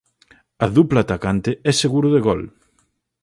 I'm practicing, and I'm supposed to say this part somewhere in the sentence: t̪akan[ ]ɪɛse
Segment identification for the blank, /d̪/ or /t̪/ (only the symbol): t̪